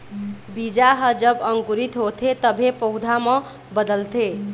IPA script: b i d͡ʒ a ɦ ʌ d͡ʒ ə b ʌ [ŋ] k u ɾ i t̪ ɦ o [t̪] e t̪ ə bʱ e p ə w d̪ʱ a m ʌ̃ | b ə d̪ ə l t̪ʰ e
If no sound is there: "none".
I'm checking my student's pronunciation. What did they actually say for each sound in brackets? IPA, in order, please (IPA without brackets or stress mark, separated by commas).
ŋ, t̪ʰ